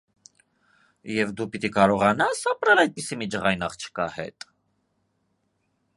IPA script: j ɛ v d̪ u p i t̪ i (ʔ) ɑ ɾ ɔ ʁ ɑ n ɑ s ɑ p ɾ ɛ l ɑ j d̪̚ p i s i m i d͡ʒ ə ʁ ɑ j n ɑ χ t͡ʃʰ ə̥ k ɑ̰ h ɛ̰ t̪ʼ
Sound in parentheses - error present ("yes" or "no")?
yes